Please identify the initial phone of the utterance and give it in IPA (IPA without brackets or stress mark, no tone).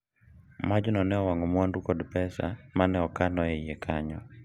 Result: m